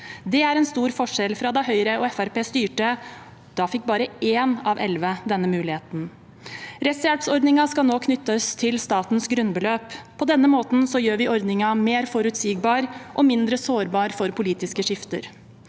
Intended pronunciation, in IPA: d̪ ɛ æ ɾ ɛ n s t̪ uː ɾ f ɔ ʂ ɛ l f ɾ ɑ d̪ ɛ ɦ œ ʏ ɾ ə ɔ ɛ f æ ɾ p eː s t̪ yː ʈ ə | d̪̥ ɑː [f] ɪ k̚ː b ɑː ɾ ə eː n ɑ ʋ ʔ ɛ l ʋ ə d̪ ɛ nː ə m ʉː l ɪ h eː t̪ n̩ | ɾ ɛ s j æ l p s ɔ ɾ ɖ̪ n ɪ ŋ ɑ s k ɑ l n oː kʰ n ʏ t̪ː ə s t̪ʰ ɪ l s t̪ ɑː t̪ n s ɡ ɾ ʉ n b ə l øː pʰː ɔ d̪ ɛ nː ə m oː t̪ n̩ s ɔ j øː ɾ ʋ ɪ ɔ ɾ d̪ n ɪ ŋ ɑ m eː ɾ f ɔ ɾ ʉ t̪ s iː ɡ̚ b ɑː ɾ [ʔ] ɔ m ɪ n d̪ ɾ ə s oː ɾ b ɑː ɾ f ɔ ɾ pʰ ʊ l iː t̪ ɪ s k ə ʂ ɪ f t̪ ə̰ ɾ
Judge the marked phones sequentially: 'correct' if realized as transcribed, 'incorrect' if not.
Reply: correct, correct

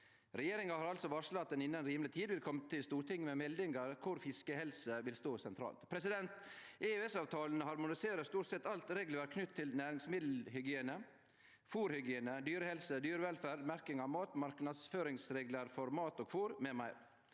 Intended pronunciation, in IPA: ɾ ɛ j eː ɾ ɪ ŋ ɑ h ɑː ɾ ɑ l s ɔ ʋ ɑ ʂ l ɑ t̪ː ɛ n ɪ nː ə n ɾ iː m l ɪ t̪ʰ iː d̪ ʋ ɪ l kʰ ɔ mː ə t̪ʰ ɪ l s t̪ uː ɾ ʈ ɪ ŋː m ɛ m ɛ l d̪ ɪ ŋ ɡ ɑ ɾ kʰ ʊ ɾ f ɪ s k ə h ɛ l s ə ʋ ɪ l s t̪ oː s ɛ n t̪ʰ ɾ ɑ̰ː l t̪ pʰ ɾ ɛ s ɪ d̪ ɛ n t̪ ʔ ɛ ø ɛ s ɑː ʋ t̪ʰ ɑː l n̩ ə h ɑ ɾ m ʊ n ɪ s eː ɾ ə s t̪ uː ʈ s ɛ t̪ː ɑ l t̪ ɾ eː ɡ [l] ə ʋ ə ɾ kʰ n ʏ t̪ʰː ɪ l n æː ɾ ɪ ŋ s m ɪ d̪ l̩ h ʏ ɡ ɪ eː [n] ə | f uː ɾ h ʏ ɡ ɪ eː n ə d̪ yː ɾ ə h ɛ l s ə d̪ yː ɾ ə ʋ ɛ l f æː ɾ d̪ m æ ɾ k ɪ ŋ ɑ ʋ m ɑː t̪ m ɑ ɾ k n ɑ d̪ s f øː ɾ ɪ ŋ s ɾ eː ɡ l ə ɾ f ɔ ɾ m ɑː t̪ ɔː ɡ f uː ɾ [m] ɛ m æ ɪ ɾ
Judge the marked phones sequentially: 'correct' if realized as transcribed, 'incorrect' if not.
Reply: correct, correct, correct

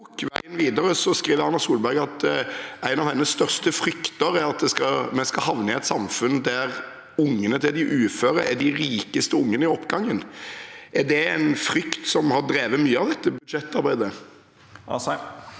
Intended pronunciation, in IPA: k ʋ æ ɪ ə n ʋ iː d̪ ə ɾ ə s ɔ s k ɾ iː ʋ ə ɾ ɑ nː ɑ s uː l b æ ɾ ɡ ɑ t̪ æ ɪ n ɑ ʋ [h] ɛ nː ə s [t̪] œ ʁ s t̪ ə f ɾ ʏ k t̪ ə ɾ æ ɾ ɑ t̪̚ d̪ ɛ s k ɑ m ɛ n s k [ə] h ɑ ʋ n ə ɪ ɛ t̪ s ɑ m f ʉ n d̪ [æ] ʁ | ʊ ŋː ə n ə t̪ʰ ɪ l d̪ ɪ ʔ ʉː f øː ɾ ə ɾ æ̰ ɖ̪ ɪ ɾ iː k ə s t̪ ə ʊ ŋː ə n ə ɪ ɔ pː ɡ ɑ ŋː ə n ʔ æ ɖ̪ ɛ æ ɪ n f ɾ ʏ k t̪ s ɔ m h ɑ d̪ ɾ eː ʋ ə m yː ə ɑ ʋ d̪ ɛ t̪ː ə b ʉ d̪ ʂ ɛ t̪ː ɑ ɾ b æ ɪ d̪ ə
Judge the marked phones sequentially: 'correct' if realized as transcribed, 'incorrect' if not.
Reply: correct, correct, incorrect: ɑ, correct

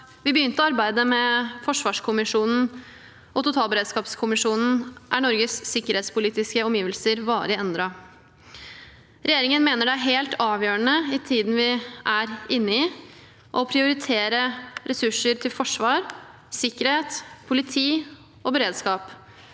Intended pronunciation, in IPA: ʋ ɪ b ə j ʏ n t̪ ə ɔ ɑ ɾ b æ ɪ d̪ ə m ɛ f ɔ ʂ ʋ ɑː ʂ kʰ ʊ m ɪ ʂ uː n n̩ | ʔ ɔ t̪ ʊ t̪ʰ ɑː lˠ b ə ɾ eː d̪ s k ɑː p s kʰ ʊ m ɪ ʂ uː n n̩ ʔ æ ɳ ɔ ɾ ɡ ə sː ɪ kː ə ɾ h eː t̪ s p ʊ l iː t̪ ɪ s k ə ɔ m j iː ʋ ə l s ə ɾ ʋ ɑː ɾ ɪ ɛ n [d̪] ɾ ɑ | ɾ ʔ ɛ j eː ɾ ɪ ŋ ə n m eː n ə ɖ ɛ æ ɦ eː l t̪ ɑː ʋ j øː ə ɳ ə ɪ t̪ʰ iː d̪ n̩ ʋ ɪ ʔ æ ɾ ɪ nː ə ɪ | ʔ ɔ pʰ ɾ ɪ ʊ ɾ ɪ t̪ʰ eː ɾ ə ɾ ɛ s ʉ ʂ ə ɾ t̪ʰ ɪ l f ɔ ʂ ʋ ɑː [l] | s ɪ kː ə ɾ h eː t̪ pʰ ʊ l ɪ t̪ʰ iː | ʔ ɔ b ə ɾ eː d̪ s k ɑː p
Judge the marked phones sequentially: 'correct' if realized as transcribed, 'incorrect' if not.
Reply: correct, incorrect: ɾ

